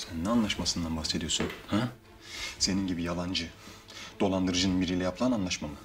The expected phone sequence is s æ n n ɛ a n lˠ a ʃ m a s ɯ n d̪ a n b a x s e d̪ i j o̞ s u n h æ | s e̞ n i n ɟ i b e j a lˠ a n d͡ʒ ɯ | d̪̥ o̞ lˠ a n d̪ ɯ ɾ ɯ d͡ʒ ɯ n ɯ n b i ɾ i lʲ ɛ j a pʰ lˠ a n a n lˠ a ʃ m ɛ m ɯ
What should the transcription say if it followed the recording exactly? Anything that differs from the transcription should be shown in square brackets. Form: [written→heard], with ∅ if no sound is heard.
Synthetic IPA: s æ n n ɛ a n lˠ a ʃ m a s ɯ n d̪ a n b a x s e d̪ i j o̞ s u n h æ | s e̞ n i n ɟ i b [e→i] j a lˠ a n d͡ʒ ɯ | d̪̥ o̞ lˠ a n d̪ ɯ ɾ ɯ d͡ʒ ɯ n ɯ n b i ɾ i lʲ ɛ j a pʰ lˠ a n a n lˠ a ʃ m [ɛ→a] m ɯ